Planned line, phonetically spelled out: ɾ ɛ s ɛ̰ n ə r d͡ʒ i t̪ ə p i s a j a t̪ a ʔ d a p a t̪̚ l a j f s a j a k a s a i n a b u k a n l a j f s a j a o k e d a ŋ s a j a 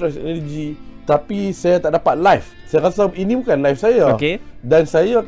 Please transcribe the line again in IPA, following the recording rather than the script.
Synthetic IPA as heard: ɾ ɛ s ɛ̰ n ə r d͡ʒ i t̪ a p i s a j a t̪ a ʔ d a p a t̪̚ l a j f s a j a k a s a i n i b u k a n l a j f s a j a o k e d a n s a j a